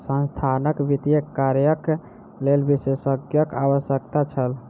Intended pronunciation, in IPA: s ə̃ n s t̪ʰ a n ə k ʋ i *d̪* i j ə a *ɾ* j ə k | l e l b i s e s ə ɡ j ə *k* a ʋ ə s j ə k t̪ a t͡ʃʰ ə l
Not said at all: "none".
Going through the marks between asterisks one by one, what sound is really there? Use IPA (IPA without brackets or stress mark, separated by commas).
t̪, ɾ, k